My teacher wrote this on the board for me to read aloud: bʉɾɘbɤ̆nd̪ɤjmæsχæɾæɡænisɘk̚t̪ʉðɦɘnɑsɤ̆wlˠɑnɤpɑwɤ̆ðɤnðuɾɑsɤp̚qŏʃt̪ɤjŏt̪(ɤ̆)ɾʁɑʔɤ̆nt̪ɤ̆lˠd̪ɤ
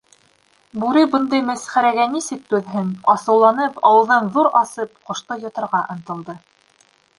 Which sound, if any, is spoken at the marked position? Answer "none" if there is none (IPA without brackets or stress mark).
ɤ̆